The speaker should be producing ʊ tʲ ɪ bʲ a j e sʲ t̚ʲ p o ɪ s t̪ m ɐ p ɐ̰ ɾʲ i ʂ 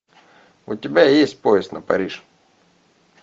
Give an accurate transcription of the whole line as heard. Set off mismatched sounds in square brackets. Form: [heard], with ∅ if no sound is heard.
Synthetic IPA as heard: ʊ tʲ ɪ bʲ a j e sʲ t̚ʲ p o ɪ s t̪ [n] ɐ p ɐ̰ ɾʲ i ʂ